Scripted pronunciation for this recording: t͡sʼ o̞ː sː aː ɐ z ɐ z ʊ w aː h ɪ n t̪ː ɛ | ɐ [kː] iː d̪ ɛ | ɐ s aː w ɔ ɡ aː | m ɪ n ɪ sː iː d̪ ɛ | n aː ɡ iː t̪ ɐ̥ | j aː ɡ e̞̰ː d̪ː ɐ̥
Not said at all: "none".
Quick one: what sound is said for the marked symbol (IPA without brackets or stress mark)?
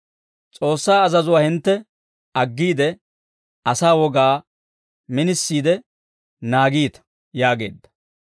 ɡː